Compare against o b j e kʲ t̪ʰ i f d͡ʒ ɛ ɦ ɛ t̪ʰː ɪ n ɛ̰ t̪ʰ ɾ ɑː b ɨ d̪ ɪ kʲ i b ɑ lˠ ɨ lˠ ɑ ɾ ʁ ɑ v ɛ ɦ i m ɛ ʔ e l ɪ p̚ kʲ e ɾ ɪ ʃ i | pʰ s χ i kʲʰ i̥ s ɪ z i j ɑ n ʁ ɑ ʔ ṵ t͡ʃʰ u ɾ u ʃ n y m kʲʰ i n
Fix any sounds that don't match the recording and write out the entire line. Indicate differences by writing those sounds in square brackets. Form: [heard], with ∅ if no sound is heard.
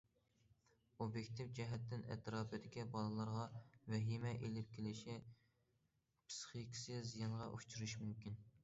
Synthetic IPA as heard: o b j e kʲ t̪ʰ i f d͡ʒ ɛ ɦ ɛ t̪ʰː ɪ n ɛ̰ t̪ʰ ɾ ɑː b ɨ d̪ ɪ kʲ i b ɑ lˠ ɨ lˠ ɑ ɾ ʁ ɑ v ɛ ɦ i m ɛ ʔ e l ɪ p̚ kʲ e [l] ɪ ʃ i | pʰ s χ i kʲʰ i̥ s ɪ z i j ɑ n ʁ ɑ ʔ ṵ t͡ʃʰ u ɾ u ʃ [m] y m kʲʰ i n